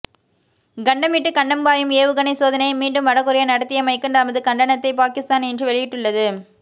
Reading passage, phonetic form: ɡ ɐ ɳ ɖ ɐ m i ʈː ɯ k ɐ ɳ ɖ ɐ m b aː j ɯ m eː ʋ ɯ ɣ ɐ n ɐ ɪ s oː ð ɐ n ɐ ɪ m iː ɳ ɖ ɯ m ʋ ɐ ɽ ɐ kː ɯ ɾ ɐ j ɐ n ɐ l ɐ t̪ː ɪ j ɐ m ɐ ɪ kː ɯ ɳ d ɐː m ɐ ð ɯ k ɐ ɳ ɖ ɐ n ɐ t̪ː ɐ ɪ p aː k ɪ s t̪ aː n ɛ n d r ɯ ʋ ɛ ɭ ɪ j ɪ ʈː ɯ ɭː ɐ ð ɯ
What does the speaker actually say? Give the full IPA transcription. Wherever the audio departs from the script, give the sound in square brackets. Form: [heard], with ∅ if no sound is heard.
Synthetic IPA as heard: ɡ ɐ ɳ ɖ ɐ m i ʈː ɯ k ɐ ɳ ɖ ɐ m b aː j ɯ m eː ʋ ɯ ɣ ɐ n ɐ ɪ s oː ð ɐ n ɐ ɪ m iː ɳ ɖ ɯ m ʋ ɐ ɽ ɐ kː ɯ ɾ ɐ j ɐ n ɐ [ɽ] ɐ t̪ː ɪ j ɐ m ɐ ɪ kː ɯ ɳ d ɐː m ɐ ð ɯ k ɐ ɳ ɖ ɐ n ɐ t̪ː ɐ ɪ p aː k ɪ s t̪ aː n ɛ n d r ɯ ʋ ɛ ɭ ɪ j ɪ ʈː ɯ ɭː ɐ ð ɯ